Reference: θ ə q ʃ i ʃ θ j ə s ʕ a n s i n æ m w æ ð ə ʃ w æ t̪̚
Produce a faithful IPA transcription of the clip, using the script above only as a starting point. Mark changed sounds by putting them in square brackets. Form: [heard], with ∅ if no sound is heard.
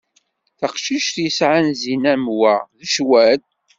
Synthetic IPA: θ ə q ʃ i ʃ θ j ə s ʕ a n [z] i n æ m w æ ð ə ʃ w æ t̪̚